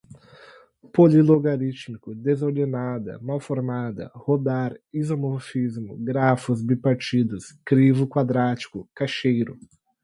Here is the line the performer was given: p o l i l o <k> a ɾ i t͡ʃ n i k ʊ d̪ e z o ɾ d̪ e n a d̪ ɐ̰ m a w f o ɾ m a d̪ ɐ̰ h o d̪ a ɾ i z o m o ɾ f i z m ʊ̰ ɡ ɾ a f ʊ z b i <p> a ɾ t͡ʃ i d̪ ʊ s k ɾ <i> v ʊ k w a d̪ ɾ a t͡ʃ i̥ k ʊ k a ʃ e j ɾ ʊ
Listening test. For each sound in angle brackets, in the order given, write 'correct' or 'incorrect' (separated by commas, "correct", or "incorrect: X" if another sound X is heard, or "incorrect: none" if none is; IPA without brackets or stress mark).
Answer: incorrect: ɡ, correct, correct